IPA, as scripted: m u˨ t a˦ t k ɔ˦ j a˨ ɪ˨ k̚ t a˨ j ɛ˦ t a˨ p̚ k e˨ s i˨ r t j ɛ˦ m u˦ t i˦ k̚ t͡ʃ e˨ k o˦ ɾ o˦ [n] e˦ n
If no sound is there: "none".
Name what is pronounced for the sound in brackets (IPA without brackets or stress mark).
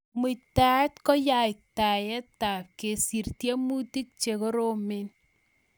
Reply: m